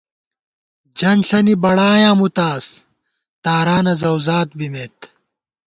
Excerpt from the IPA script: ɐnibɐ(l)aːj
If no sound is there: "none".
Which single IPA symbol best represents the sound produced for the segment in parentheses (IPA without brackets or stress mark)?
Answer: ɽ